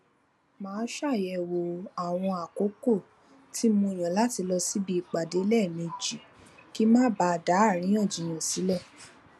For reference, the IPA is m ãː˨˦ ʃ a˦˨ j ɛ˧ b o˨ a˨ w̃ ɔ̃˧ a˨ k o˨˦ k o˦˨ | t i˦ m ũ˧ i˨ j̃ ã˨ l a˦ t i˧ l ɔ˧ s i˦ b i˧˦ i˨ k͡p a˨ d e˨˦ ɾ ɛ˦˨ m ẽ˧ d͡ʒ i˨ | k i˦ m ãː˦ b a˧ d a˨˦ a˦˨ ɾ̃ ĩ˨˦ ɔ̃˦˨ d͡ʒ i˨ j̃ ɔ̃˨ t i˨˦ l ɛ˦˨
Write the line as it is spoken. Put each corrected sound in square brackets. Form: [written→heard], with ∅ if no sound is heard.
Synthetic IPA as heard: m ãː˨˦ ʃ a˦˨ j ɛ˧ [b→w] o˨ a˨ w̃ ɔ̃˧ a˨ k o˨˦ k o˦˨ | t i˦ m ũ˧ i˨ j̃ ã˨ l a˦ t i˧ l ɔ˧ s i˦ b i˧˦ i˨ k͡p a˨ d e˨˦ [ɾ→l] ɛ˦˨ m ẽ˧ d͡ʒ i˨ | k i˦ m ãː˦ b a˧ d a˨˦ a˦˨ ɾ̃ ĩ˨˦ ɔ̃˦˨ d͡ʒ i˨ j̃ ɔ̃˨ [t→s] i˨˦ l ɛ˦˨